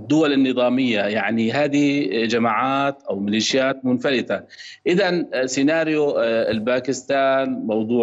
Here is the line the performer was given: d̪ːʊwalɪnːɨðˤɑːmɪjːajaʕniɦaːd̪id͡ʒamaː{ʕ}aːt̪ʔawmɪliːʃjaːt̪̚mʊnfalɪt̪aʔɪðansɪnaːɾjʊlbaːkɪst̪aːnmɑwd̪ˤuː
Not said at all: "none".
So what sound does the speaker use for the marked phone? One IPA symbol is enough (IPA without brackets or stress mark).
ʕ